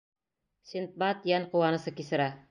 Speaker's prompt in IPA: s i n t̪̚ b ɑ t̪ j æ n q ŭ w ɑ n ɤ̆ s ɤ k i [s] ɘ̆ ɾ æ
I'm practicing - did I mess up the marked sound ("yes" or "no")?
no